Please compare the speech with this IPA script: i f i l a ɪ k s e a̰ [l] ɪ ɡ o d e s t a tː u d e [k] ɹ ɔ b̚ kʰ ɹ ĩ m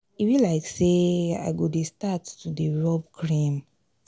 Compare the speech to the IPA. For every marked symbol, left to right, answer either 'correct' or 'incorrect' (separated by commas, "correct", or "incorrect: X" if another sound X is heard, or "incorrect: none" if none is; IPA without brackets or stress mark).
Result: incorrect: none, incorrect: none